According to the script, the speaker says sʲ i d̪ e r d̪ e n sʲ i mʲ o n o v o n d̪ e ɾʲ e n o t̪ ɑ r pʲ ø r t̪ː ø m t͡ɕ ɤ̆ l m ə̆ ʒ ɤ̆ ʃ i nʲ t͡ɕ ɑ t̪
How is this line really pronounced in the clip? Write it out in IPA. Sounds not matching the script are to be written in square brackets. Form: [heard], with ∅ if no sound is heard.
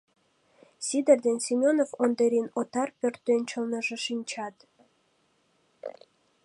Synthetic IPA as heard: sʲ i d̪ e r d̪ e n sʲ i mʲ o n o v o n d̪ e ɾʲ [i] n o t̪ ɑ r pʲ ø r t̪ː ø [n] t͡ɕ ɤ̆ l [n] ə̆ ʒ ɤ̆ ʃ i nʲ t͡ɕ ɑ t̪